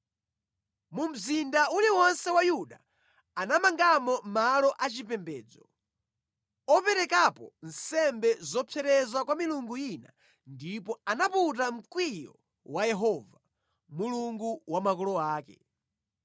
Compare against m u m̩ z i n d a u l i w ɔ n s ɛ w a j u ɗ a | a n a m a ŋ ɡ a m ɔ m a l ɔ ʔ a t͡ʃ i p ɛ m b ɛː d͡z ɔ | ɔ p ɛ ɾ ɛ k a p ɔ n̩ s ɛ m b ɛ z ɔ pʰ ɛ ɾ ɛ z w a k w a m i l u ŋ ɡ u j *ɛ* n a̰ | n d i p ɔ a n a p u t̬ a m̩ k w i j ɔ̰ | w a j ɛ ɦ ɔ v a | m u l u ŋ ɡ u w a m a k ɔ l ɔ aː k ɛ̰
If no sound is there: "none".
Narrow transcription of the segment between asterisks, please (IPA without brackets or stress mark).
i